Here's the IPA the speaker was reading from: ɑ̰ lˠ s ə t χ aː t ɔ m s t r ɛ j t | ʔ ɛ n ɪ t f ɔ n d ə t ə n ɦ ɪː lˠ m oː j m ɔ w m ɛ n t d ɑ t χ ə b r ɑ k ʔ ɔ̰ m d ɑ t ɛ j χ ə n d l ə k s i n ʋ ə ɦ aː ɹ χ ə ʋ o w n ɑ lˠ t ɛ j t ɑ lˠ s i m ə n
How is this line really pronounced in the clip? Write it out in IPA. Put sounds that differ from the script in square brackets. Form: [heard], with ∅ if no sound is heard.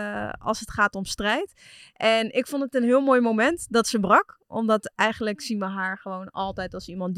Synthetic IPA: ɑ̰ lˠ s ə t χ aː t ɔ m s t r ɛ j t | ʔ ɛ n ɪ [k] f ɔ n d ə t ə n ɦ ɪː lˠ m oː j m [o] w m ɛ n t d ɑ t [s] ə b r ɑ k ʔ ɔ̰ m d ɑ t ɛ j χ ə n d l ə k s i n ʋ ə ɦ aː ɹ χ ə ʋ o w n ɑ lˠ t ɛ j t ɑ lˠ s i m [ɑ] n